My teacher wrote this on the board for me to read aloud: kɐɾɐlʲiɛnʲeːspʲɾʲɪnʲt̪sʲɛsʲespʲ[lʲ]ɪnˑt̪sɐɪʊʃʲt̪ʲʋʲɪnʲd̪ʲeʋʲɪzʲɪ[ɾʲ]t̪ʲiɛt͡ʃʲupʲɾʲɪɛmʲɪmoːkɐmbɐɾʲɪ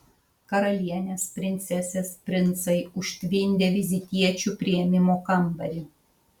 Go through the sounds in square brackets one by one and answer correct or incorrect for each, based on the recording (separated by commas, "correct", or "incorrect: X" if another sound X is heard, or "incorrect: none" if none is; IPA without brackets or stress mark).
incorrect: ɾʲ, incorrect: none